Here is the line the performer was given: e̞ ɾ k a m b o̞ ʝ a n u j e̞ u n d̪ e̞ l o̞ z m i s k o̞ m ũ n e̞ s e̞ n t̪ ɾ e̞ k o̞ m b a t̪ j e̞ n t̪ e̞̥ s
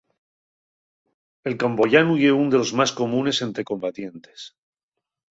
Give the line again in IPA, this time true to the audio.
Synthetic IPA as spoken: e̞ l k a m b o̞ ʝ a n u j e̞ u n d̪ e̞ l o̞ z m a s k o̞ m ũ n e̞ s e̞ n t̪ ɾ e̞ k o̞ m b a t̪ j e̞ n t̪ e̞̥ s